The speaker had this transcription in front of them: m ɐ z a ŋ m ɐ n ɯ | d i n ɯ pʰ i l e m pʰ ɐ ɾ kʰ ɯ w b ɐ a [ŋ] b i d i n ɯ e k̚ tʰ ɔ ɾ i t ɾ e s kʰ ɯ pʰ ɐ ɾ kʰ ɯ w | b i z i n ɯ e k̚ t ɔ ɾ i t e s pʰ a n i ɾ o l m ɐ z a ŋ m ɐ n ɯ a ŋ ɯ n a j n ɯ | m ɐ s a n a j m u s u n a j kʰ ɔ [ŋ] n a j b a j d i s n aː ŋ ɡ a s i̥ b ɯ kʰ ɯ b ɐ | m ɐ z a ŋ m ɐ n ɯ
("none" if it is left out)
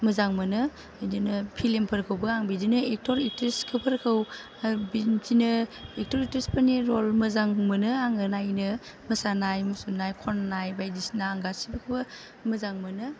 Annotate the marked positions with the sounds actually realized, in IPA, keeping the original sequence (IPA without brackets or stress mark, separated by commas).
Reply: ŋ, n